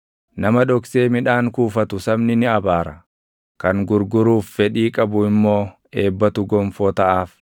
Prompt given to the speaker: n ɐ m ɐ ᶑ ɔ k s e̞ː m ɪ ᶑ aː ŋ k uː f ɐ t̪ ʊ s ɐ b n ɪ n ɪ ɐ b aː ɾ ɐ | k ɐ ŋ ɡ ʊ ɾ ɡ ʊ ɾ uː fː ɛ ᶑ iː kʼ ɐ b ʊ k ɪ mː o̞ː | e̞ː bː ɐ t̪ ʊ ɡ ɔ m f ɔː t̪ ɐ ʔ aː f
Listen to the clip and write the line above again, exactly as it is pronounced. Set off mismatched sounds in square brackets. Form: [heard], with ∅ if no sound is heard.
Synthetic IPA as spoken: n ɐ m ɐ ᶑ ɔ k s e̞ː m ɪ ᶑ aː ŋ k uː f ɐ t̪ ʊ s ɐ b n ɪ n ɪ ɐ b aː ɾ ɐ | k ɐ ŋ ɡ ʊ ɾ ɡ ʊ ɾ uː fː ɛ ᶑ iː kʼ ɐ b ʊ [∅] ɪ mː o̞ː | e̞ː bː ɐ t̪ ʊ ɡ ɔ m f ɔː t̪ ɐ ʔ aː f